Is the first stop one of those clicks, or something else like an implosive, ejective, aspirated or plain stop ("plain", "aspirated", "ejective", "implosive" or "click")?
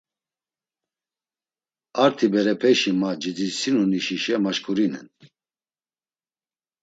aspirated